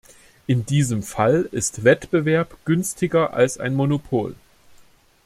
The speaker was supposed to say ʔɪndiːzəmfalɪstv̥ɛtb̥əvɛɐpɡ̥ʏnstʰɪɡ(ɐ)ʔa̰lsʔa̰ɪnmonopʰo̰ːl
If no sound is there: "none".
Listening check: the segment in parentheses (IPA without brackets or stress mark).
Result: ɐ